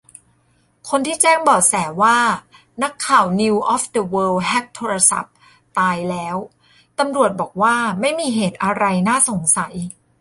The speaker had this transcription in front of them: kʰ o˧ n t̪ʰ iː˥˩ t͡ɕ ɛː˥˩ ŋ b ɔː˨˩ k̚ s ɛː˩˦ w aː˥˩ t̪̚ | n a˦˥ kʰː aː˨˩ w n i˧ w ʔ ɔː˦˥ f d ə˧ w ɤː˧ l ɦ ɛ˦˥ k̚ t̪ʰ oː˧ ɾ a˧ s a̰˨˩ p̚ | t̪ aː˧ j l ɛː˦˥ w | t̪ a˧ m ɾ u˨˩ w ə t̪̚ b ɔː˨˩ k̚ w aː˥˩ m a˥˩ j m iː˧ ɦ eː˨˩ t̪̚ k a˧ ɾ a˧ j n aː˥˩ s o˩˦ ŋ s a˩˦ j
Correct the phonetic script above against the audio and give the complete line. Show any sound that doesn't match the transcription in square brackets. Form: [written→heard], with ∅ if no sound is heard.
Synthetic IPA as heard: kʰ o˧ n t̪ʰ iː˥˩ t͡ɕ ɛː˥˩ ŋ b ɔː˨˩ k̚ s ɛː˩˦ w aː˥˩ [t̪̚→∅] | n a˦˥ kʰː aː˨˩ w n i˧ w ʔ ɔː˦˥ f d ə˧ w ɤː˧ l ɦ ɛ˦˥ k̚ t̪ʰ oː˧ ɾ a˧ s a̰˨˩ p̚ | t̪ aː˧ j l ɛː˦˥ w | t̪ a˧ m ɾ u˨˩ [w→∅] ə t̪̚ b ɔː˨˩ k̚ w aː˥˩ m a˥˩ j m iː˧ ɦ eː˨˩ t̪̚ [k→ʔ] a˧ ɾ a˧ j n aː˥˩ s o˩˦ ŋ s a˩˦ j